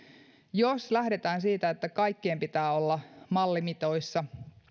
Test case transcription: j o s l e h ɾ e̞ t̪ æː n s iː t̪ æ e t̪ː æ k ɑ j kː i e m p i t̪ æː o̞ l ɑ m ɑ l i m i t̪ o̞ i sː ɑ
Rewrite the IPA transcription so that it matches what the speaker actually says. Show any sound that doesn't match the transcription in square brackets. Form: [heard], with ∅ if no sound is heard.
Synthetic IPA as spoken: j o s l [æ] h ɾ e̞ t̪ æː n s iː t̪ æ e t̪ː æ k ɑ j kː i e m p i t̪ æː o̞ [lː] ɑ m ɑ [lː] i m i t̪ o̞ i sː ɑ